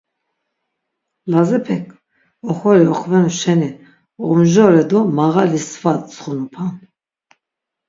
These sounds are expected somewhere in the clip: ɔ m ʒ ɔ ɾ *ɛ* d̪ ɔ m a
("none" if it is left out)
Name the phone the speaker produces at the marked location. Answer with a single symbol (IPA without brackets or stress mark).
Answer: ɛ